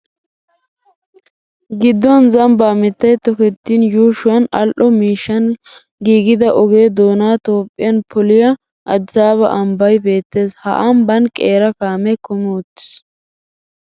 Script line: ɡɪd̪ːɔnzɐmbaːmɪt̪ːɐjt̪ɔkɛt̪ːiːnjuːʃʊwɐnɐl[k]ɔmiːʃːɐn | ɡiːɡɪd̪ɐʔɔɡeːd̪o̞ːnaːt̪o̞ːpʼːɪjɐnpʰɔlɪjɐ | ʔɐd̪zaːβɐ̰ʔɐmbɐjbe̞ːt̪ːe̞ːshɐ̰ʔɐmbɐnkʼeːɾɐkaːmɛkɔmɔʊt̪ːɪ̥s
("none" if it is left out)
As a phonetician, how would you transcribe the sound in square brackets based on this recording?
ʔ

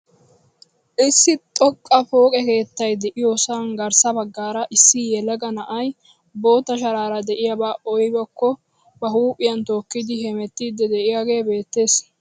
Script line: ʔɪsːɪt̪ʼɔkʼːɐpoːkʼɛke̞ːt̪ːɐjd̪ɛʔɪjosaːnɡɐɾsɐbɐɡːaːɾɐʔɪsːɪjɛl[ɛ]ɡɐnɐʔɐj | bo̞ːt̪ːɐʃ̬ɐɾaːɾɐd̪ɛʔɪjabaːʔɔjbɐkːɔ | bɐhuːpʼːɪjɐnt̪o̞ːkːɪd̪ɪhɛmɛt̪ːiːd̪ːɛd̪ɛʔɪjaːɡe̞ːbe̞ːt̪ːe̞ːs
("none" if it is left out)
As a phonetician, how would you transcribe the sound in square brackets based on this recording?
ɛ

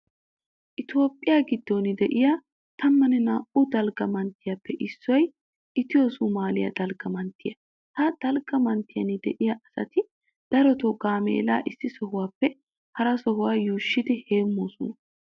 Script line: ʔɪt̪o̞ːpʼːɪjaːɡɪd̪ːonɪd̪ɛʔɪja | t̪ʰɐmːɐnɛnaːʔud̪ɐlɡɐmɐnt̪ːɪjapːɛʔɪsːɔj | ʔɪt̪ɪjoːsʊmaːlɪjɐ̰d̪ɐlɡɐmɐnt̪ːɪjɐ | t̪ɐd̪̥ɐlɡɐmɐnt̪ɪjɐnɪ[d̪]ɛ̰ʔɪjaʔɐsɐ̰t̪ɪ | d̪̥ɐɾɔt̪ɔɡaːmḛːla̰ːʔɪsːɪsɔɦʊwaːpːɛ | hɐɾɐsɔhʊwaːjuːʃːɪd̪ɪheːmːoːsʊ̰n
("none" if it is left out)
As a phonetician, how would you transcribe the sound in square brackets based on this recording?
d̪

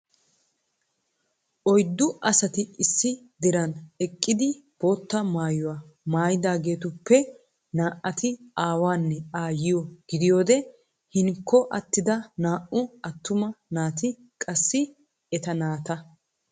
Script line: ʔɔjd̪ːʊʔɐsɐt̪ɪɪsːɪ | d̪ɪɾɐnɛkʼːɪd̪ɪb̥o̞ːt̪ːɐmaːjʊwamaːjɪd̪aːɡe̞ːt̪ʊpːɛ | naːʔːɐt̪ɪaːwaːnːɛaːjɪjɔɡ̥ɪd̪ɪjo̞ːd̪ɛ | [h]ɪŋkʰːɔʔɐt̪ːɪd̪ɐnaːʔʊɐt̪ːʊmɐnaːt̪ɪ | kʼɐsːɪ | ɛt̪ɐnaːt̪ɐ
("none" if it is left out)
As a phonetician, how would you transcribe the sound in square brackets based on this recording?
h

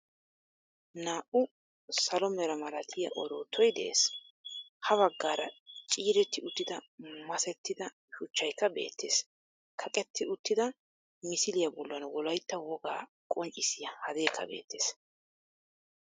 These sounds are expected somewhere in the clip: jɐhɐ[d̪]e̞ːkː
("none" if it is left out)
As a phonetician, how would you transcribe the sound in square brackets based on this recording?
d̪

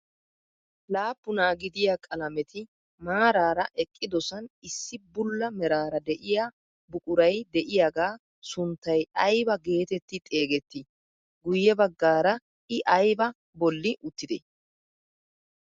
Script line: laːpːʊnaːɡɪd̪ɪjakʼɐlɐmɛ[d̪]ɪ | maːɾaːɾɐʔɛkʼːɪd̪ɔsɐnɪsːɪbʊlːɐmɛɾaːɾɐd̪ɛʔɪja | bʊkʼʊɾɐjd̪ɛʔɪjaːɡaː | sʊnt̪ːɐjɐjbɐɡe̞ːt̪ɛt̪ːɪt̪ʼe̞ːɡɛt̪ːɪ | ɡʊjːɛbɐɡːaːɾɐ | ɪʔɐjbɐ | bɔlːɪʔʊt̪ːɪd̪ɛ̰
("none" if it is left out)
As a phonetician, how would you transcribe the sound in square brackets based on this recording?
t̪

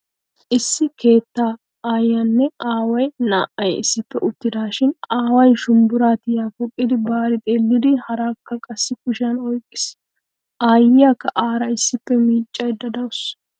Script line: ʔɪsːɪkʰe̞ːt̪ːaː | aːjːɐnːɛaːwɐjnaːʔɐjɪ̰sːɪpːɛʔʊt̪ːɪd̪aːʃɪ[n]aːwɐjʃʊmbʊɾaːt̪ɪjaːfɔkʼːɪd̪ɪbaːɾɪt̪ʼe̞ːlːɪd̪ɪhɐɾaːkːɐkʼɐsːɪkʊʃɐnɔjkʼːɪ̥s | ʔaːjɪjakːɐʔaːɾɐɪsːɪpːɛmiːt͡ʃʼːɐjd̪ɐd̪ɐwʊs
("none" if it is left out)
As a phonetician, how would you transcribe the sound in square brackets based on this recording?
n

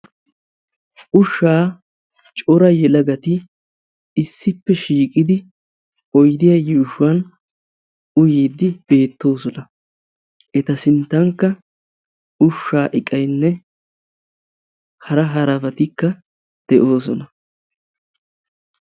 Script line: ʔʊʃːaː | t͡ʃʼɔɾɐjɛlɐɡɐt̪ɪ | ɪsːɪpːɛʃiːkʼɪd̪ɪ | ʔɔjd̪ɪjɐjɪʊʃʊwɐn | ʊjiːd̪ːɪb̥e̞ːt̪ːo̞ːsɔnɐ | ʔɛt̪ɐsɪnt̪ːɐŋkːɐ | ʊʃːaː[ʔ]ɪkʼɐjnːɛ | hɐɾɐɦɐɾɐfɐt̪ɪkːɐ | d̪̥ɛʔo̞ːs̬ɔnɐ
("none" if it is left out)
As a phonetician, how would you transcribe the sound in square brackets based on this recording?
ʔ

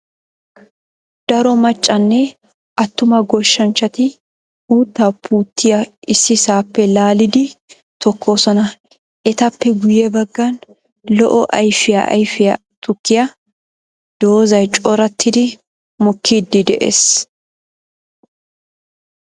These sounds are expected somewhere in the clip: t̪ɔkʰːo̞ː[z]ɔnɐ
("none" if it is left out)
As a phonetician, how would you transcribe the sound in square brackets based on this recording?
s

